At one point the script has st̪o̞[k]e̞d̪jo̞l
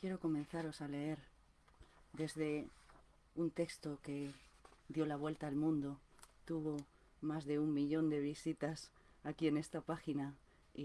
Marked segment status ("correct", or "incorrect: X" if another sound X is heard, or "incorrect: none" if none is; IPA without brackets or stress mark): correct